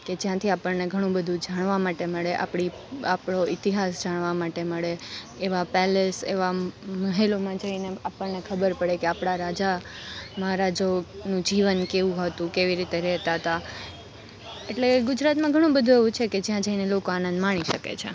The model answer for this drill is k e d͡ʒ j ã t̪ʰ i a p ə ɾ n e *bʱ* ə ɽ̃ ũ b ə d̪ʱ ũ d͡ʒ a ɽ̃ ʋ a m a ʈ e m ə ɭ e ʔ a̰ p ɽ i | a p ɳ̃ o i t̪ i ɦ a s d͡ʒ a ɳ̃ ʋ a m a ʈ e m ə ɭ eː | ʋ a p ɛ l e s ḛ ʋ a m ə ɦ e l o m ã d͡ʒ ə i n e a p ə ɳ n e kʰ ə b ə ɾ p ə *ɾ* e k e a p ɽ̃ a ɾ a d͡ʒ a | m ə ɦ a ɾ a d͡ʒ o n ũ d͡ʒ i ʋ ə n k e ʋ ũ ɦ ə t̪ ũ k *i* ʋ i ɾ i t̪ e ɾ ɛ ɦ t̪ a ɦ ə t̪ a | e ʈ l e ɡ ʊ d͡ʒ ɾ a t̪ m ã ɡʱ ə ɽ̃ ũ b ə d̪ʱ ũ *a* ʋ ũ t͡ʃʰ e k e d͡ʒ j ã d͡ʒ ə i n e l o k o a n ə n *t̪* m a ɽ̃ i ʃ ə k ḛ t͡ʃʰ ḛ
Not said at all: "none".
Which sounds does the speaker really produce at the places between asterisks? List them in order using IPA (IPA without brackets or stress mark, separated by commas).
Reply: ɡʱ, ɽ, e, e, d̪